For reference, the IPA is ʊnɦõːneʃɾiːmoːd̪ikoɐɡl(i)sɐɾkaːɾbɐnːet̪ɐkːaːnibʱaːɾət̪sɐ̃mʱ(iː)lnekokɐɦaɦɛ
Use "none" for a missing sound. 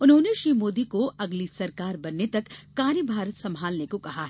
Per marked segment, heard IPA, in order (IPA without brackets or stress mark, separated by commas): i, aː